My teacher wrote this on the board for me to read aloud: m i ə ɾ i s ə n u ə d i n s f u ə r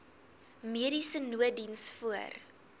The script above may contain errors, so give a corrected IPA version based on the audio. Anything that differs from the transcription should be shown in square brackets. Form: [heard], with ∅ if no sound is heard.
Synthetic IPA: m i ə ɾ i s ə n u ə d i n s f u ə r